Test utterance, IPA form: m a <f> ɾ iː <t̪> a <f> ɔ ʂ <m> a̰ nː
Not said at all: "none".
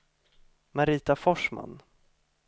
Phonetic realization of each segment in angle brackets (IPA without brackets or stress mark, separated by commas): none, t̪, f, m